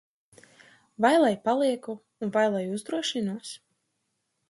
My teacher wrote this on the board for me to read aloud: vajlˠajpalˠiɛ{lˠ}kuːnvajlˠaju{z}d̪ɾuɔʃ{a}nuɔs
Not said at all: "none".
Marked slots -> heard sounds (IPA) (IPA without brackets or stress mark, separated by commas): none, z, i